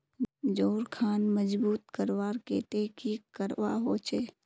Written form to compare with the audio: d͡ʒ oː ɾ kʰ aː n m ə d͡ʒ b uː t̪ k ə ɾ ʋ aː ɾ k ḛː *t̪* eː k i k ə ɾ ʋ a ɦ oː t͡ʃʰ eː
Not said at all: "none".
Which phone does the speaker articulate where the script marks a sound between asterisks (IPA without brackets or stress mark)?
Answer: t̪